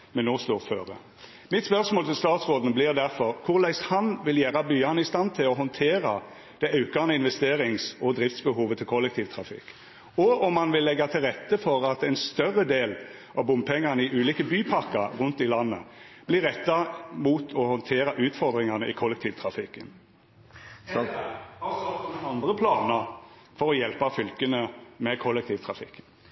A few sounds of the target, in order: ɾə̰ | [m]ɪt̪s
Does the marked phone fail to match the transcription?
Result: no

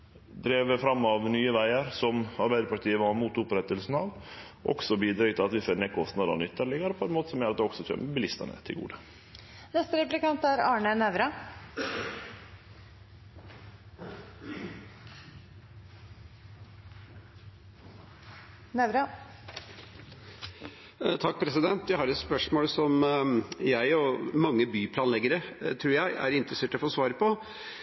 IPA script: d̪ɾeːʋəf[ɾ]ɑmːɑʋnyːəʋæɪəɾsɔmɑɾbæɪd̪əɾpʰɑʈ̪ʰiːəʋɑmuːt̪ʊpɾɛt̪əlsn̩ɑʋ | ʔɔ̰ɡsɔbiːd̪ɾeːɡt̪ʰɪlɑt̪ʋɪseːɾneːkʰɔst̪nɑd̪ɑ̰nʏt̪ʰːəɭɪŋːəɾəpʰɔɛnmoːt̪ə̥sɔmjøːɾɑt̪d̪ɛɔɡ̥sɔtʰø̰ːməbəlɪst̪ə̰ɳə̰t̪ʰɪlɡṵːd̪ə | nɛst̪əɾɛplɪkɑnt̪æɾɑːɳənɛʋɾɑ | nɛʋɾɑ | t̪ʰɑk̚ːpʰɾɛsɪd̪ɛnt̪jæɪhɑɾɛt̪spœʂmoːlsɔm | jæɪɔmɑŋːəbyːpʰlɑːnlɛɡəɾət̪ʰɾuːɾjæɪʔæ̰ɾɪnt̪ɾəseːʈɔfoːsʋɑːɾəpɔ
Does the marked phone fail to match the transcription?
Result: no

